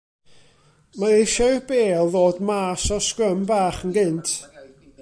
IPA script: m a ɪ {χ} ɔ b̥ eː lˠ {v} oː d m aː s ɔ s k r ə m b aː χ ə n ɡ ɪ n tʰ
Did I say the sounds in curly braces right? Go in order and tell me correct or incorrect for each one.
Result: incorrect, incorrect

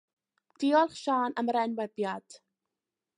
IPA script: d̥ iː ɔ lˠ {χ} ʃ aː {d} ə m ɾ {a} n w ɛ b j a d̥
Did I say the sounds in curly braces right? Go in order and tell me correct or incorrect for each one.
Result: correct, incorrect, incorrect

